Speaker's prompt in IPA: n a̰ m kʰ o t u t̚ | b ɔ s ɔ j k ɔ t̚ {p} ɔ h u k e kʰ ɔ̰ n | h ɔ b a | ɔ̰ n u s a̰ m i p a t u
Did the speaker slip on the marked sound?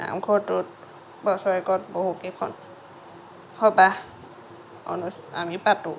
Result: yes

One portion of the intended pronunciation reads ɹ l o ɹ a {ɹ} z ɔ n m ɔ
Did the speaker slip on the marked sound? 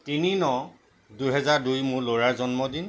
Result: no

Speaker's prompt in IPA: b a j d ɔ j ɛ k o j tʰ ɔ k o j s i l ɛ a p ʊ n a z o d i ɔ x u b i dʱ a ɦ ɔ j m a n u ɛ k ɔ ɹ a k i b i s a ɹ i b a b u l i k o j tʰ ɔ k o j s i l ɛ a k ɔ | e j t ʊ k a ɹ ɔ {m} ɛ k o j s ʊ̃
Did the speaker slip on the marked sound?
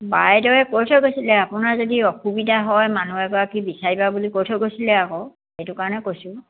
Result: yes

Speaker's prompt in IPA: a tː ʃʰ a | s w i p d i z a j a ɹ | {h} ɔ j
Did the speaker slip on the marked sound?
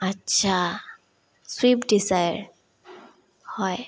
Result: no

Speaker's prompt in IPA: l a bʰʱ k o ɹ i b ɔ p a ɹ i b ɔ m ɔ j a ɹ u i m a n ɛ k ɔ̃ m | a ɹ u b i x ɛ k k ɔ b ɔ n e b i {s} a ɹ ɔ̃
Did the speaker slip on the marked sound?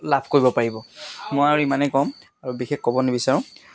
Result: no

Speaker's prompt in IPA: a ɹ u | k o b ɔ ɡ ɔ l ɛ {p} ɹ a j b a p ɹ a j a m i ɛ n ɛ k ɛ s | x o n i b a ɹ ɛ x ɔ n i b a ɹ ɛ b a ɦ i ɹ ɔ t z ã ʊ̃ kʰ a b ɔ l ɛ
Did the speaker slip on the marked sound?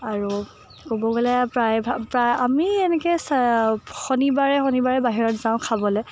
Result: no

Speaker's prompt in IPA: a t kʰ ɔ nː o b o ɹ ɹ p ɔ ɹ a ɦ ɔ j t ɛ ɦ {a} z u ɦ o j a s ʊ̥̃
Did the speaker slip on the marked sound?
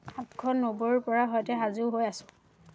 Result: no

